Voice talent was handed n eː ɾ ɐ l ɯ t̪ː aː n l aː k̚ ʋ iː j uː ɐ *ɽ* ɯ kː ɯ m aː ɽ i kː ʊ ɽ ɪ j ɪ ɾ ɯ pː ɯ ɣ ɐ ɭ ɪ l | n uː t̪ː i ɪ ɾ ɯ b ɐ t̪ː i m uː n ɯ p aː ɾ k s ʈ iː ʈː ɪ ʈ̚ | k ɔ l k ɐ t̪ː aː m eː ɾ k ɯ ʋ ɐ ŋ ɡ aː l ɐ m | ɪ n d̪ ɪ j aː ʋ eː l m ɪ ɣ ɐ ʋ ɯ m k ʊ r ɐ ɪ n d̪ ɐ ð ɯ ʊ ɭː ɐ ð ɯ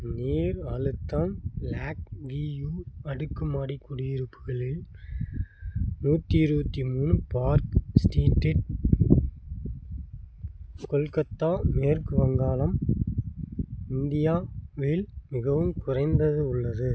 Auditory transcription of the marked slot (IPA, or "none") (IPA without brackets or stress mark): ɽ